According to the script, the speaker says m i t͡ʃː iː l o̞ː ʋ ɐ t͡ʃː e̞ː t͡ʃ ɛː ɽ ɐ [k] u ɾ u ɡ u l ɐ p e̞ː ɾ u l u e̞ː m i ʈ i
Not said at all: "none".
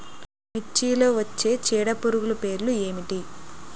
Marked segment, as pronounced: p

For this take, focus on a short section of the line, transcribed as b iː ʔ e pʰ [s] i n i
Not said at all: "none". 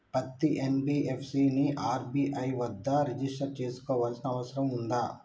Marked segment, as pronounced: s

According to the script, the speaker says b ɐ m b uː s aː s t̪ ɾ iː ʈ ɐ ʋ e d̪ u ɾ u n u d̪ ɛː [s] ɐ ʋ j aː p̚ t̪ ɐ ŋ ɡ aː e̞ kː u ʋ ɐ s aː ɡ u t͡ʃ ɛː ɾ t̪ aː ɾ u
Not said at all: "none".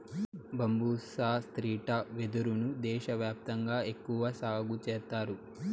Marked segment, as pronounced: ʃ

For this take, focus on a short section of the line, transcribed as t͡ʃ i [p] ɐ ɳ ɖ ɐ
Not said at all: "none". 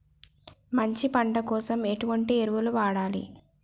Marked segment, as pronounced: p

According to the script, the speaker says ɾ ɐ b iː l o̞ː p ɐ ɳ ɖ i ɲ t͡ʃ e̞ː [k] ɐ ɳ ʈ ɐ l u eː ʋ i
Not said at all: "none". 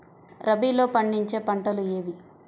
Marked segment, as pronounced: p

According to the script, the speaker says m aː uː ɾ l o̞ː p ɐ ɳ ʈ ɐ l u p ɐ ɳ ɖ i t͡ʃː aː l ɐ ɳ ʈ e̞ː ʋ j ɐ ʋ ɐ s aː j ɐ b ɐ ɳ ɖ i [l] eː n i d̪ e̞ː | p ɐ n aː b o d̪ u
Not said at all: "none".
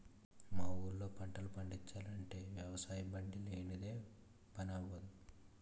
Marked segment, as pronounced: l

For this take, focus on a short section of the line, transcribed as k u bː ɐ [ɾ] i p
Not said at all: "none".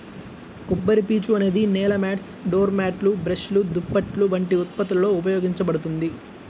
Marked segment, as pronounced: ɾ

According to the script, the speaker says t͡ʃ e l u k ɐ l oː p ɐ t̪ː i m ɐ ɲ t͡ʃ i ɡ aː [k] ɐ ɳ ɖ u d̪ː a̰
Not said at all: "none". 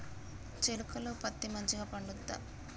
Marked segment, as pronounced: p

